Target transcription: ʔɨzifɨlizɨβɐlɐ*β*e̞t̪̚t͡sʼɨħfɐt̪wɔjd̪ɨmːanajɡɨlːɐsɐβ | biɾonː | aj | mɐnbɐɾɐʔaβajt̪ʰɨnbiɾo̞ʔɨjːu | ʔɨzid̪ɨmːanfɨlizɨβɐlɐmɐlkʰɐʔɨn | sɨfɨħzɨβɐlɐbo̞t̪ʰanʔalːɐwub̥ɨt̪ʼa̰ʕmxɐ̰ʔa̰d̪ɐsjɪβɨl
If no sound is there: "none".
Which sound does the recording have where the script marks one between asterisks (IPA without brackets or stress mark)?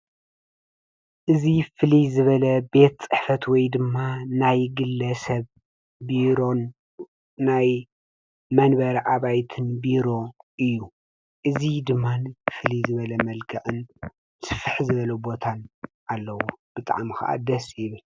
b